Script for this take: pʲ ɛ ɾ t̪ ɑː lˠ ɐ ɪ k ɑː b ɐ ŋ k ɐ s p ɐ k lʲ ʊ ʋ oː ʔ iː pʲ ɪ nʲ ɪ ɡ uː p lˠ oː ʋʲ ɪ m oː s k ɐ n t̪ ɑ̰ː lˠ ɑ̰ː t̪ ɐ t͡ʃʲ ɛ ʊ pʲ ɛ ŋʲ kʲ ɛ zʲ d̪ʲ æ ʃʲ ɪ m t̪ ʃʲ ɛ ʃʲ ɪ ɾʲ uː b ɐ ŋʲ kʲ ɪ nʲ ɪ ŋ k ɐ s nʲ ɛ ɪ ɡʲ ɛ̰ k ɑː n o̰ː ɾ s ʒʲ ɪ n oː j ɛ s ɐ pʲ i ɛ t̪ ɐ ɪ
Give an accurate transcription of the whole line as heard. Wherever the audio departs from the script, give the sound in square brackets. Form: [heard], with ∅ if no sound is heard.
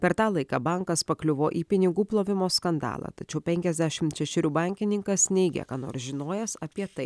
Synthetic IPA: pʲ ɛ ɾ t̪ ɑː lˠ ɐ ɪ k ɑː b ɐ ŋ k ɐ s p ɐ k lʲ ʊ ʋ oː ʔ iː pʲ ɪ nʲ ɪ ɡ uː p lˠ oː ʋʲ ɪ m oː s k ɐ n [d̪] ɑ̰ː lˠ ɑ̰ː t̪ ɐ t͡ʃʲ ɛ ʊ pʲ ɛ ŋʲ kʲ ɛ zʲ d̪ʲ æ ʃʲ ɪ m t̪ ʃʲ ɛ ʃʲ ɪ ɾʲ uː b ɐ ŋʲ kʲ ɪ nʲ ɪ ŋ k ɐ s nʲ ɛ ɪ ɡʲ ɛ̰ k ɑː n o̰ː ɾ s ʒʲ ɪ n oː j ɛ s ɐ pʲ i ɛ t̪ ɐ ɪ

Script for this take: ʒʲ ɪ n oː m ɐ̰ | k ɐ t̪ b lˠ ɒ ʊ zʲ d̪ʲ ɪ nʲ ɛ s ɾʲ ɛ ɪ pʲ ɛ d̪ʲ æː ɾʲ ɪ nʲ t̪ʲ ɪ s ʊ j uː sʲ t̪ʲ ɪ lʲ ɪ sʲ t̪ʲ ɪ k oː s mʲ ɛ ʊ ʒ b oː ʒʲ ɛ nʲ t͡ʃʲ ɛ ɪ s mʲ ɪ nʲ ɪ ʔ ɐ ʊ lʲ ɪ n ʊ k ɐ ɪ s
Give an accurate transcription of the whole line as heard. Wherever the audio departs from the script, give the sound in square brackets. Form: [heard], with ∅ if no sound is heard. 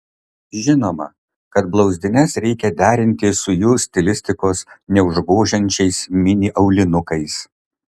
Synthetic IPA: ʒʲ ɪ n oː m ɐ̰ | k ɐ t̪ b lˠ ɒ ʊ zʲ d̪ʲ ɪ nʲ ɛ s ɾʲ ɛ ɪ [kʲ] ɛ d̪ʲ æː ɾʲ ɪ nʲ t̪ʲ ɪ s ʊ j uː sʲ t̪ʲ ɪ lʲ ɪ sʲ t̪ʲ ɪ k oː s [nʲ] ɛ ʊ ʒ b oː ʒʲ ɛ nʲ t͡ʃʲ ɛ ɪ s mʲ ɪ nʲ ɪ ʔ ɐ ʊ lʲ ɪ n ʊ k ɐ ɪ s

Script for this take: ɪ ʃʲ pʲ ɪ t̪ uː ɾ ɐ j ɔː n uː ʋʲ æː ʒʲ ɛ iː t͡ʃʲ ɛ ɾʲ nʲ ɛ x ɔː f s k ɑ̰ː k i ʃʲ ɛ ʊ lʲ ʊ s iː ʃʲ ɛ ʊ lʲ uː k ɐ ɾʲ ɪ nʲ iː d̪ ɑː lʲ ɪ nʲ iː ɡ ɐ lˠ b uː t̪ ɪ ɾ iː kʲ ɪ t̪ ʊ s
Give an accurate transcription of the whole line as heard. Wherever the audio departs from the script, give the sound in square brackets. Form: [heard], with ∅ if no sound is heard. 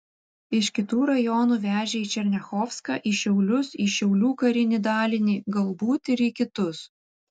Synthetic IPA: ɪ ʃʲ [kʲ] ɪ t̪ uː ɾ ɐ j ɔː n uː ʋʲ æː ʒʲ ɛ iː t͡ʃʲ ɛ ɾʲ nʲ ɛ x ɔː f s k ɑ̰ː [ʔ] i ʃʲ ɛ ʊ lʲ ʊ s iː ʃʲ ɛ ʊ lʲ uː k ɐ ɾʲ ɪ nʲ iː d̪ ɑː lʲ ɪ nʲ iː ɡ ɐ lˠ b uː t̪ ɪ ɾ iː kʲ ɪ t̪ ʊ s

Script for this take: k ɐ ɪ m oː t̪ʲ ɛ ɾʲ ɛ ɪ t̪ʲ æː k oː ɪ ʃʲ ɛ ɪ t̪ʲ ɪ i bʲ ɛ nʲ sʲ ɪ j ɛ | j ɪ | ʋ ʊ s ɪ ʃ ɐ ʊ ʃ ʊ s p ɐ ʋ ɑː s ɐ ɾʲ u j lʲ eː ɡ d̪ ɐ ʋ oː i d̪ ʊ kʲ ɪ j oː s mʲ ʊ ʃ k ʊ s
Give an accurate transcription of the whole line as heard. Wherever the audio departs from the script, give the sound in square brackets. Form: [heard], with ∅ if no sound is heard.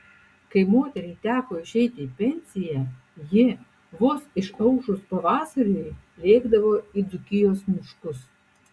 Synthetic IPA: k ɐ ɪ m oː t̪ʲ ɛ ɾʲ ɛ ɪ t̪ʲ æː k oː ɪ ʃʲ ɛ ɪ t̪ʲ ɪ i [pʲ] ɛ nʲ sʲ ɪ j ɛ | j ɪ | ʋ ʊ s ɪ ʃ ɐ ʊ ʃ ʊ s p ɐ ʋ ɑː s ɐ ɾʲ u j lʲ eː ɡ d̪ ɐ ʋ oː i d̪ ʊ kʲ ɪ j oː s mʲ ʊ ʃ k ʊ s

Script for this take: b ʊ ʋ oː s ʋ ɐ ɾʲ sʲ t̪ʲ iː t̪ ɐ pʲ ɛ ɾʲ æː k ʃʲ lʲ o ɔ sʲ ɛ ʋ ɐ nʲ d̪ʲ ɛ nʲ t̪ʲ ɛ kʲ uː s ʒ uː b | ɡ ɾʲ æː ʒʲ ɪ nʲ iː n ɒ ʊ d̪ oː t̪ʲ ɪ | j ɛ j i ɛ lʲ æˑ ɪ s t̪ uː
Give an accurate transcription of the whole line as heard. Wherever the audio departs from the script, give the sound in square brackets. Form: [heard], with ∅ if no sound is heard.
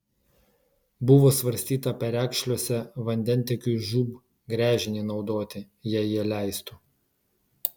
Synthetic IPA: b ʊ ʋ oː s ʋ ɐ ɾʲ sʲ t̪ʲ iː t̪ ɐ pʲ ɛ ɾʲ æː k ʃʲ lʲ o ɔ sʲ ɛ ʋ ɐ nʲ d̪ʲ ɛ nʲ t̪ʲ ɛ kʲ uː [∅] ʒ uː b | ɡ ɾʲ æː ʒʲ ɪ nʲ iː n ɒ ʊ d̪ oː t̪ʲ ɪ | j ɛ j i ɛ lʲ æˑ ɪ s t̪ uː

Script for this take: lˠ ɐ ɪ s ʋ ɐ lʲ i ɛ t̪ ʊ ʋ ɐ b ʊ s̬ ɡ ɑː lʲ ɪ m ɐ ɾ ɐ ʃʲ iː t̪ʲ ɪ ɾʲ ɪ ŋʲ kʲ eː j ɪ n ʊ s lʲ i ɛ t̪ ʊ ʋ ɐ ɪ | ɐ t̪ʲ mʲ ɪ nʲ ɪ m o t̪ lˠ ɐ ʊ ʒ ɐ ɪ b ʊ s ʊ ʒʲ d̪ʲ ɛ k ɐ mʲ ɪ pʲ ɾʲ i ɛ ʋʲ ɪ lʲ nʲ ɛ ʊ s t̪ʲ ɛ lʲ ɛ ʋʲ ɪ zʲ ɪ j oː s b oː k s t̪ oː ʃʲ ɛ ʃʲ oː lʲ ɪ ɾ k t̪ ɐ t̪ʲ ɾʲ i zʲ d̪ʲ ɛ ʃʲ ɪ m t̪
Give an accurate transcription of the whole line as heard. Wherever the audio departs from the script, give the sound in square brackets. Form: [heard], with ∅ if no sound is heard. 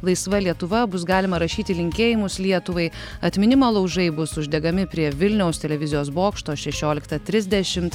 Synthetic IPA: lˠ ɐ ɪ s ʋ ɐ lʲ i ɛ t̪ ʊ ʋ ɐ b ʊ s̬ ɡ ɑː lʲ ɪ m ɐ ɾ ɐ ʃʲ iː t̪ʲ ɪ [lʲ] ɪ ŋʲ kʲ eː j ɪ [m] ʊ s lʲ i ɛ t̪ ʊ ʋ ɐ ɪ | ɐ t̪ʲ mʲ ɪ nʲ ɪ m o [∅] lˠ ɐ ʊ ʒ ɐ ɪ b ʊ s ʊ ʒʲ d̪ʲ ɛ [ɡ] ɐ mʲ ɪ pʲ ɾʲ i ɛ ʋʲ ɪ lʲ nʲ ɛ ʊ s t̪ʲ ɛ lʲ ɛ ʋʲ ɪ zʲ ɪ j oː s b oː k [ʃ] t̪ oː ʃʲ ɛ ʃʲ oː lʲ ɪ [∅] k t̪ ɐ t̪ʲ ɾʲ [ɪ] zʲ d̪ʲ ɛ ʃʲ ɪ m t̪

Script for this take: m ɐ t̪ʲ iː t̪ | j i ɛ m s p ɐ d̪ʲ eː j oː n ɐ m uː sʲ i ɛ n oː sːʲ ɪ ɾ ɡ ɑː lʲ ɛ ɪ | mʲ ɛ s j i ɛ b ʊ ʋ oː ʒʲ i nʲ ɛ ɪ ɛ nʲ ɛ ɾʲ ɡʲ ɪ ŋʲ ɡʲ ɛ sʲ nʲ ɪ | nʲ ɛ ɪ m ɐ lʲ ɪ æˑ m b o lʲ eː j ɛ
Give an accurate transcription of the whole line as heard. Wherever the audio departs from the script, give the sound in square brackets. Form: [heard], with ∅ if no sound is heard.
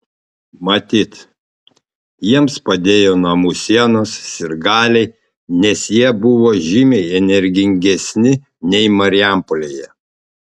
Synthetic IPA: m ɐ t̪ʲ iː t̪ | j i ɛ m s p ɐ d̪ʲ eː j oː n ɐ m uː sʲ i ɛ n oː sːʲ ɪ ɾ ɡ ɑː lʲ ɛ ɪ | [nʲ] ɛ s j i ɛ b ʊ ʋ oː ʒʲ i [mʲ] ɛ ɪ ɛ nʲ ɛ ɾʲ ɡʲ ɪ ŋʲ ɡʲ ɛ sʲ nʲ ɪ | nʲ ɛ ɪ m ɐ [ɾʲ] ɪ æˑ m [p] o lʲ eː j ɛ

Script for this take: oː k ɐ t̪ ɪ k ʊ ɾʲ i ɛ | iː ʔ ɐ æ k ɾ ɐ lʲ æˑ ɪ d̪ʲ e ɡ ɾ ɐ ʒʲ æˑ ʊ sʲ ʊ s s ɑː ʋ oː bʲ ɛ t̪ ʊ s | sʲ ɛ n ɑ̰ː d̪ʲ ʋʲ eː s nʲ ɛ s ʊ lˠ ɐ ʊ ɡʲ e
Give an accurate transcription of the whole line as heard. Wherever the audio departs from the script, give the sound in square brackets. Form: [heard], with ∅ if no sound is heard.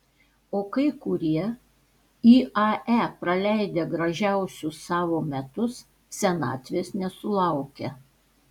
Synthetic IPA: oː k ɐ [∅] ɪ k ʊ ɾʲ i ɛ | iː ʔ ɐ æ [p] ɾ ɐ lʲ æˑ ɪ d̪ʲ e ɡ ɾ ɐ ʒʲ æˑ ʊ sʲ ʊ s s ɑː ʋ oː [mʲ] ɛ t̪ ʊ s | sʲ ɛ n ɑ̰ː [t̪ʲ] ʋʲ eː s nʲ ɛ s ʊ lˠ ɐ ʊ [kʲ] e

